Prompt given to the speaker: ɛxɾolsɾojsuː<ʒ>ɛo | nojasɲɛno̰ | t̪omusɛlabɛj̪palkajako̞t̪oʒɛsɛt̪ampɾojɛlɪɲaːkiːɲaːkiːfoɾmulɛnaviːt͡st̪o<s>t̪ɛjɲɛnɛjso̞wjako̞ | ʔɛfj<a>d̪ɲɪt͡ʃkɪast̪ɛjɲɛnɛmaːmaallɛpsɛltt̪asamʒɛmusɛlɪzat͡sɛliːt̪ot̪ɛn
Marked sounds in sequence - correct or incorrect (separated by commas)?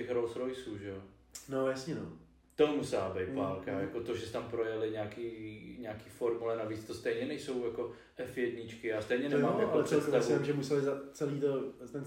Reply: correct, correct, incorrect